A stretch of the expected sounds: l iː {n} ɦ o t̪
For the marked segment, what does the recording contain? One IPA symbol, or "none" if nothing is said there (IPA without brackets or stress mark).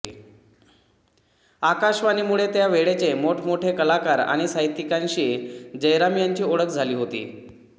none